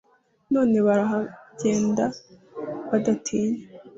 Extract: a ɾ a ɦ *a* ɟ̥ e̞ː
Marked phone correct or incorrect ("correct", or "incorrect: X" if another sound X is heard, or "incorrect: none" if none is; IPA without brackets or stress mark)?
correct